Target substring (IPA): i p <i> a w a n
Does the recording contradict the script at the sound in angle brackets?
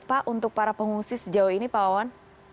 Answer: yes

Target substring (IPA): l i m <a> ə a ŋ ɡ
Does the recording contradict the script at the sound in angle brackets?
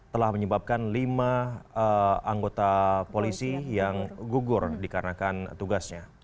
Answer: no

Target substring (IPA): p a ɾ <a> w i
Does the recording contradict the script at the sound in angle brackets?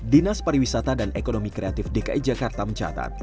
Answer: yes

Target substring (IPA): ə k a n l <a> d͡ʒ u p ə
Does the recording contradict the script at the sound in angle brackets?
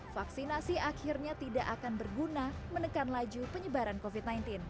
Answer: no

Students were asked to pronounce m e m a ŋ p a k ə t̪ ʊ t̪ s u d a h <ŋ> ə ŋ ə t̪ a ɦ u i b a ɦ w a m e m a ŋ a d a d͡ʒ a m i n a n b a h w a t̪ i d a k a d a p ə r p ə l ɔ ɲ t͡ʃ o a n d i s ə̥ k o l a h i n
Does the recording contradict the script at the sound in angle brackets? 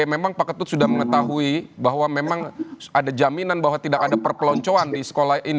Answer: yes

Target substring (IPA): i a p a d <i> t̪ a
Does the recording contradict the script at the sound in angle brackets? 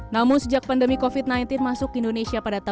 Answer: yes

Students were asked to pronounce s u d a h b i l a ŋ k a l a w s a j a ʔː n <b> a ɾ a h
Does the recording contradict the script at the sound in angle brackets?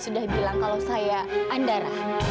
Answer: yes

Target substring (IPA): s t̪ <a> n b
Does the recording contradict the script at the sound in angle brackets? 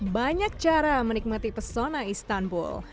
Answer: no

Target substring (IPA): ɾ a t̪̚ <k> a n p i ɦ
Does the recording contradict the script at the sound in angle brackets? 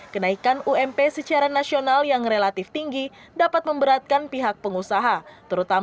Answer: no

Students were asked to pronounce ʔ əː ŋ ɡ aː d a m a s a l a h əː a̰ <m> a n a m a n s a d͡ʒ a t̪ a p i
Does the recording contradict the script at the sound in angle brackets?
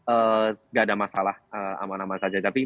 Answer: no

